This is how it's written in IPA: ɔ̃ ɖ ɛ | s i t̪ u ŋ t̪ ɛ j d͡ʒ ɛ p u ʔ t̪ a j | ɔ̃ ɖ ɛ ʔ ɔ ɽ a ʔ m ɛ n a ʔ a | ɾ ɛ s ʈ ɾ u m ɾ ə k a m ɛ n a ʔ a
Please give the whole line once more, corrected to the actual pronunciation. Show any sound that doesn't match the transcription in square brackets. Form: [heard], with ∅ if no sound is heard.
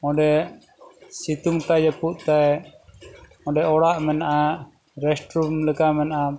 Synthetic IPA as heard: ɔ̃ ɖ ɛ | s i t̪ u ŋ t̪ [a] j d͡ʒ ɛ p u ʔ t̪ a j | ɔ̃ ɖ ɛ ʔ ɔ ɽ a ʔ m ɛ n a ʔ a | ɾ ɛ s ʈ ɾ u m [l] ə k a m ɛ n a ʔ a